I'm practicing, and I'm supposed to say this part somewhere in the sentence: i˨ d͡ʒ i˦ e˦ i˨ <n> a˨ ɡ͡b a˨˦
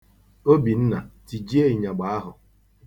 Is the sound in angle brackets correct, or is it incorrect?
incorrect